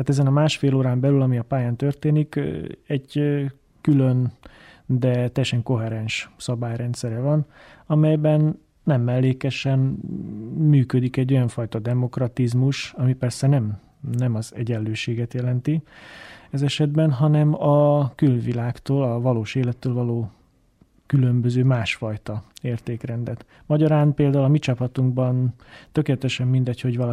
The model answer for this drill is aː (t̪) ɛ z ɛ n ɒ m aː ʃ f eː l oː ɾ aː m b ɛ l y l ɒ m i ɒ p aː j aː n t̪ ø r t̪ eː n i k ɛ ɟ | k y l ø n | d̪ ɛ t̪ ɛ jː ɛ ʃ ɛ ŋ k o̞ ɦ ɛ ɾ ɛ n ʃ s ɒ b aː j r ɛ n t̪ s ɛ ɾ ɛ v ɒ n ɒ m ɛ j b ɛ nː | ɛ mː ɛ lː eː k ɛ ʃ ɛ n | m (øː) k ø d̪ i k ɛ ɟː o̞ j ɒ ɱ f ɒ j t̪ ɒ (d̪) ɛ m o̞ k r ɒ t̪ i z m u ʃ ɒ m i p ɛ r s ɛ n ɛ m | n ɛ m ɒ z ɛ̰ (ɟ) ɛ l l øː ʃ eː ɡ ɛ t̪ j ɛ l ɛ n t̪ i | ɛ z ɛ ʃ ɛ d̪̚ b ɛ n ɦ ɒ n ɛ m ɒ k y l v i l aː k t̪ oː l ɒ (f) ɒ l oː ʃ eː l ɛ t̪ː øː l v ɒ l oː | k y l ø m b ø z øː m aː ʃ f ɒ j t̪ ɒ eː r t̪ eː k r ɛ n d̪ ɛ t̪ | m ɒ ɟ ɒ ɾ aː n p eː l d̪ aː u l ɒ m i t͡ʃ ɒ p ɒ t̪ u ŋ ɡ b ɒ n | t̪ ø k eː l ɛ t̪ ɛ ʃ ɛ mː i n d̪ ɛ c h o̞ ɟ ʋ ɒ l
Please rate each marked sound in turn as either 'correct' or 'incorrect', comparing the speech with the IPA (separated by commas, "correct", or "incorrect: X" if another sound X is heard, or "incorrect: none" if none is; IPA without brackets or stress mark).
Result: correct, incorrect: yː, correct, correct, incorrect: v